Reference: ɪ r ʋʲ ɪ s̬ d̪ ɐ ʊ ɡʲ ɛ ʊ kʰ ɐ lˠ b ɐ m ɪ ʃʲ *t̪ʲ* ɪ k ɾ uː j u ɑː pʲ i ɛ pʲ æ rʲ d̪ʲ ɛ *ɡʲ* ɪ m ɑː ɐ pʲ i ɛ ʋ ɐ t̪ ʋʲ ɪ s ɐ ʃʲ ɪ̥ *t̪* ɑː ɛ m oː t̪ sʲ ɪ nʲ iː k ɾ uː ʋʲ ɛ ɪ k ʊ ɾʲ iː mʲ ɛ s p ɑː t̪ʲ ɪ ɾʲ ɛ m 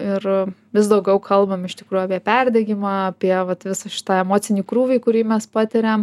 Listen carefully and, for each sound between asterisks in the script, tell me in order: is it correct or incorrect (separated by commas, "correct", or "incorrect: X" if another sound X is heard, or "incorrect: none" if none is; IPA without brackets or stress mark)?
correct, correct, correct